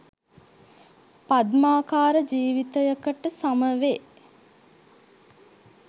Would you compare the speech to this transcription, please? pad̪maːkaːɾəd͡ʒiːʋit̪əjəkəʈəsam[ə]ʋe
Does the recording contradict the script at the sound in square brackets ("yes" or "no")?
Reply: no